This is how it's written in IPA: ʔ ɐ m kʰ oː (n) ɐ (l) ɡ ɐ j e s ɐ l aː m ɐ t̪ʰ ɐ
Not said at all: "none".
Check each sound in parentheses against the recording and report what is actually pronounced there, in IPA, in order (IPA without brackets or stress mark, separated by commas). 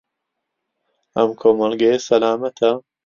m, l